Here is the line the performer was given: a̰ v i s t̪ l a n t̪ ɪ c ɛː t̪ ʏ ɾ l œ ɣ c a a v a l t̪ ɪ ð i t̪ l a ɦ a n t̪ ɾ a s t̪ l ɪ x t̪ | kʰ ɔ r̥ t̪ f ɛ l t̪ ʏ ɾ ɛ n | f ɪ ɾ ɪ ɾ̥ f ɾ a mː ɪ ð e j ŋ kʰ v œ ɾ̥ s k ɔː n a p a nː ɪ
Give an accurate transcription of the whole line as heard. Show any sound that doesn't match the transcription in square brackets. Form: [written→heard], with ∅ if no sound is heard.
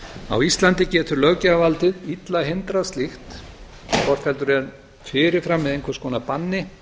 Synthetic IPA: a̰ [v→w] i s t̪ l a n t̪ ɪ c ɛː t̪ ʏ ɾ l œ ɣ c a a v a l t̪ ɪ ð i t̪ l a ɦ [a→e] n t̪ ɾ a s t̪ l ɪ x t̪ | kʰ ɔ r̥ t̪ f ɛ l t̪ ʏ ɾ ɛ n | f ɪ ɾ ɪ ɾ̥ f ɾ a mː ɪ ð e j ŋ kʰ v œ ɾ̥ s k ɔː n a p a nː ɪ

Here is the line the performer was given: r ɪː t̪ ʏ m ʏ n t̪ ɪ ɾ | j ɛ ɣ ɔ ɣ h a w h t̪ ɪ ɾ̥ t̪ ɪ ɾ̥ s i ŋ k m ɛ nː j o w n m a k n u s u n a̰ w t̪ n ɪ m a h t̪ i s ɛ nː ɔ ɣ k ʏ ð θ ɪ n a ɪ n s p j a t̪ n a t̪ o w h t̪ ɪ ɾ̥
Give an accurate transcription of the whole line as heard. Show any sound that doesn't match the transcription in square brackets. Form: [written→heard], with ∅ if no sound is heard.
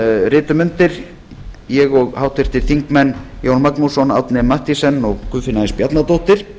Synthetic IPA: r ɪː t̪ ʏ m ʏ n t̪ ɪ ɾ | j ɛ ɣ ɔ ɣ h a w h t̪ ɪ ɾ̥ t̪ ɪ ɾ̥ [s→θ] i ŋ k m ɛ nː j o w n m a k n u s [u→ɔ] n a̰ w t̪ n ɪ m a h t̪ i s ɛ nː ɔ ɣ k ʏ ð [θ→f] ɪ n a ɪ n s p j a t̪ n a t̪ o w h t̪ ɪ ɾ̥

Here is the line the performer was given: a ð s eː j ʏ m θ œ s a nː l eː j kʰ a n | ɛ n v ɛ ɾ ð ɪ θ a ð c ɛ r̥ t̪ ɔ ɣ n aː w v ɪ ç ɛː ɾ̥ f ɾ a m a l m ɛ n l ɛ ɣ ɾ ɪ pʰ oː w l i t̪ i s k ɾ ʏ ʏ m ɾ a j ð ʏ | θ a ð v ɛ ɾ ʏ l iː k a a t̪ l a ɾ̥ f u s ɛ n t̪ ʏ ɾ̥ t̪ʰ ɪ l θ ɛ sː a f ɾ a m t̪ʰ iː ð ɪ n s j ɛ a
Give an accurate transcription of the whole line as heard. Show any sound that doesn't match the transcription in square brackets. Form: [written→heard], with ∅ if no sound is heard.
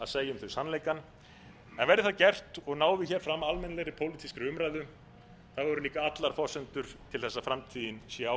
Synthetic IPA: a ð s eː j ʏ m θ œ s a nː l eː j [kʰ→k] a n | ɛ n v ɛ ɾ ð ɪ θ a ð c ɛ r̥ t̪ ɔ ɣ n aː w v ɪ ç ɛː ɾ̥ f ɾ a m a l m ɛ n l ɛ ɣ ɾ ɪ pʰ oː w l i t̪ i s k ɾ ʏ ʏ m ɾ a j ð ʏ | θ a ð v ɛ ɾ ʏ l iː k a a t̪ l a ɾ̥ f [u→ɔ] s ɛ n t̪ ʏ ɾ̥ t̪ʰ ɪ l θ ɛ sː a f ɾ a m t̪ʰ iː ð ɪ n s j ɛ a

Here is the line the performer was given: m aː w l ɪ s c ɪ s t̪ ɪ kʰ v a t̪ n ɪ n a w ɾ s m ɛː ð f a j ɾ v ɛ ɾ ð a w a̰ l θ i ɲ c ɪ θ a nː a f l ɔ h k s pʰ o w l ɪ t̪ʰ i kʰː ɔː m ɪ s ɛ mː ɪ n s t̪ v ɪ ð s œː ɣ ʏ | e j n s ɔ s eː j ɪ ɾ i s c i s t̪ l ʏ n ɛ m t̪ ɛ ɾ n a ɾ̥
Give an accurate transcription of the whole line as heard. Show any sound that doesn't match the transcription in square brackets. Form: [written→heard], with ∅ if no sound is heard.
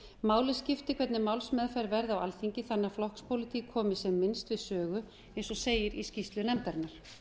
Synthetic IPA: m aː w l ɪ s c ɪ [s→f] t̪ ɪ kʰ v [a→ɛ] t̪ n ɪ [n→m] a w [ɾ→l] s m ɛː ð f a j ɾ v ɛ ɾ ð a w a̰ l θ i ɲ c ɪ θ a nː a f l ɔ h k s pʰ o w l ɪ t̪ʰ i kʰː ɔː m ɪ s ɛ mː ɪ n s t̪ v ɪ ð s œː ɣ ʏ | e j n s ɔ s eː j ɪ ɾ i s c i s t̪ l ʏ n ɛ m t̪ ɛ ɾ n a ɾ̥

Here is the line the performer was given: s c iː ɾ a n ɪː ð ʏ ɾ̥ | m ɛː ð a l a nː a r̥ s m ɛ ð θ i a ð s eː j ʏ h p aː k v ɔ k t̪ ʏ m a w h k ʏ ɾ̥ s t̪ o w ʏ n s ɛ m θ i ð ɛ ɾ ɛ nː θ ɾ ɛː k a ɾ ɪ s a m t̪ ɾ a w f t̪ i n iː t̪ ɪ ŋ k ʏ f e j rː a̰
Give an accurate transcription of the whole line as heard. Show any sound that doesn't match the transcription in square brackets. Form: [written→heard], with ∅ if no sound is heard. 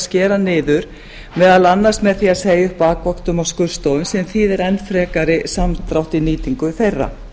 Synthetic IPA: s c [iː→ɛː] ɾ a n ɪː ð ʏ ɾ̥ | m ɛː ð a l a nː a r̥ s m ɛ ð θ i a ð s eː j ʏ h p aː k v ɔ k t̪ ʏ m a w [h→s] k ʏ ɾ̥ s t̪ o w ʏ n s ɛ m θ i ð ɛ ɾ ɛ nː [θ→f] ɾ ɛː k a ɾ ɪ s a m t̪ ɾ a w [f→h] t̪ i n iː t̪ [ɪ→i] ŋ k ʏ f e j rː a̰

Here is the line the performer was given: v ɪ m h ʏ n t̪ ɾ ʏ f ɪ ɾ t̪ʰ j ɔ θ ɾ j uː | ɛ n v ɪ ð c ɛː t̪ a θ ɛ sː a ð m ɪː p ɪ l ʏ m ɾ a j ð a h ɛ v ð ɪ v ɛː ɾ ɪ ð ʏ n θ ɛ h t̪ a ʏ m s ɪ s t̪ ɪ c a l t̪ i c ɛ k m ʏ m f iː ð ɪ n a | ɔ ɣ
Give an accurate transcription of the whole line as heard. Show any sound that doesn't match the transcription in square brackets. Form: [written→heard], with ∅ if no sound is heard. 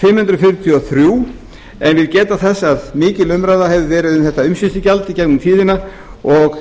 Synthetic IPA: [v→f] ɪ m h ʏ n t̪ ɾ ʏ f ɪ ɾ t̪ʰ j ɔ θ ɾ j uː | ɛ n v ɪ ð c ɛː t̪ a θ ɛ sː a ð m ɪː [p→c] ɪ l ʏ m ɾ a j ð a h ɛ v ð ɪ v ɛː ɾ ɪ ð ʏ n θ ɛ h t̪ a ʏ m s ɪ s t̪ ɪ c a l t̪ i c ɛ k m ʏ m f iː ð ɪ n a | ɔ ɣ

